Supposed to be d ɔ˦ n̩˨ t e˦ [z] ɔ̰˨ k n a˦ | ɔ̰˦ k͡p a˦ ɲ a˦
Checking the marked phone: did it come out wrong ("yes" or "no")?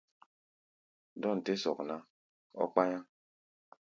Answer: yes